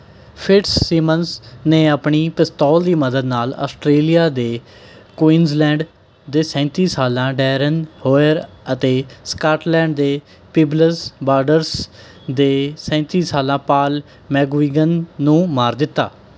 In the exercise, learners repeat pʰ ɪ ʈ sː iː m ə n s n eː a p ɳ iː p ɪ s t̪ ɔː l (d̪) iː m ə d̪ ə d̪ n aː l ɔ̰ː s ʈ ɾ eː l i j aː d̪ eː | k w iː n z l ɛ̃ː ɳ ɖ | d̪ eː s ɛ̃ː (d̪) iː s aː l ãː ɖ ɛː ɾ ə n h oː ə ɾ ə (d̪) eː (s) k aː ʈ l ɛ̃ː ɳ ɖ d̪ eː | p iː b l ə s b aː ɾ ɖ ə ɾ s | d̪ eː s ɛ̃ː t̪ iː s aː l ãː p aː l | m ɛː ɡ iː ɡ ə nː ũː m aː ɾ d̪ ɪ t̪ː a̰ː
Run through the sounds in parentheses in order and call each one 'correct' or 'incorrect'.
correct, incorrect: t̪, incorrect: t̪, correct

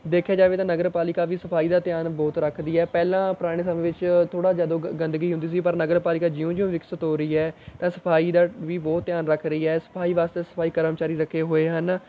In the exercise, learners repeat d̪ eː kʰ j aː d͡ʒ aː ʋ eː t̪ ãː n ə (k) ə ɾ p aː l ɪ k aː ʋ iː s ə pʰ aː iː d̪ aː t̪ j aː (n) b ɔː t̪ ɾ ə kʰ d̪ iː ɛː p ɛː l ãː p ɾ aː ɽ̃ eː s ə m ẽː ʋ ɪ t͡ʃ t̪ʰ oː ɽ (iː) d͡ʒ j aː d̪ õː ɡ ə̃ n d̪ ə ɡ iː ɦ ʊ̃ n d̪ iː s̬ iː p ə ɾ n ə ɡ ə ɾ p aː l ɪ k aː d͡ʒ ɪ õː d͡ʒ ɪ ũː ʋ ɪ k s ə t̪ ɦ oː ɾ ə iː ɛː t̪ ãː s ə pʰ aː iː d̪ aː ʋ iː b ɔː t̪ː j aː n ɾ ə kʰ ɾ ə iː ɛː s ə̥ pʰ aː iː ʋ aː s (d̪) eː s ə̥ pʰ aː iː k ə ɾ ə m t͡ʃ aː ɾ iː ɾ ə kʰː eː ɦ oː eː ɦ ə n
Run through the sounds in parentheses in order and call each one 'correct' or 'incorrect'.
incorrect: ɡ, correct, incorrect: aː, incorrect: t̪

